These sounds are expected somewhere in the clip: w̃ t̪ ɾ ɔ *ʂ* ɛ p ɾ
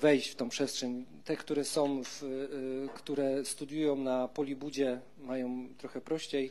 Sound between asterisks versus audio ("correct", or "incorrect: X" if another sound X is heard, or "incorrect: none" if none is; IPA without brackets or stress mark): incorrect: x